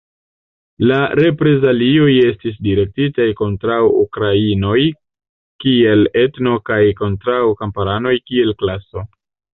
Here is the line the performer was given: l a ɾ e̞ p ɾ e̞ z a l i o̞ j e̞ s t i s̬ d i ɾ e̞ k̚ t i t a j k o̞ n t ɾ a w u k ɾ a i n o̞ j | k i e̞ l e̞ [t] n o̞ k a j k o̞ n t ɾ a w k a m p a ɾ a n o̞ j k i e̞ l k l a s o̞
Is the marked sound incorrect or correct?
correct